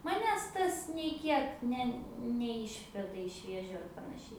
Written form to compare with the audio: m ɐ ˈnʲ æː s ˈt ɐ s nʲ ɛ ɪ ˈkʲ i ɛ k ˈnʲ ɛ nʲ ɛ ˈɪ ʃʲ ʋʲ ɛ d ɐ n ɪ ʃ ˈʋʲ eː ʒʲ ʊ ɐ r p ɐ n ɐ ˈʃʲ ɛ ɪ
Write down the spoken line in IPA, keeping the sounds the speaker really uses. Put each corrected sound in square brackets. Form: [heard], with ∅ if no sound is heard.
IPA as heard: m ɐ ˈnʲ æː s ˈt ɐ s nʲ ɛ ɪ ˈkʲ i ɛ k ˈnʲ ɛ nʲ ɛ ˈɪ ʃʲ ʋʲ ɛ d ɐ [∅] ɪ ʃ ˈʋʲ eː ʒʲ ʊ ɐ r p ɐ n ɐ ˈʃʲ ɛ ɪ